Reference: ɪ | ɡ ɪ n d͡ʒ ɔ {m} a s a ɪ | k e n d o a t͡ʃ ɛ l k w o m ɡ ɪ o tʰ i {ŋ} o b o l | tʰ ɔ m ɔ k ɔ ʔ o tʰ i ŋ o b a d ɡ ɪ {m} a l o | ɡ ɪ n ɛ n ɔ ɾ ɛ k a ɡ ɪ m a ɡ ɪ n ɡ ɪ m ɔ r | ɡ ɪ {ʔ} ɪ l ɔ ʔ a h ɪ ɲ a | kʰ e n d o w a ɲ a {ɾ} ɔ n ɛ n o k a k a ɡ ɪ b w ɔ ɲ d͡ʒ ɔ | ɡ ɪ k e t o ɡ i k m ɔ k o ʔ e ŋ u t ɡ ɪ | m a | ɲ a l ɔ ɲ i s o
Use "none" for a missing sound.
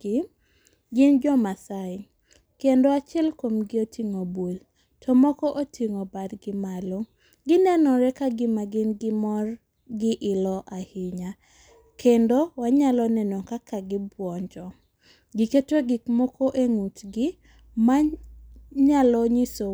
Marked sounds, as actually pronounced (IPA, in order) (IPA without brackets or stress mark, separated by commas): m, ŋ, m, ʔ, l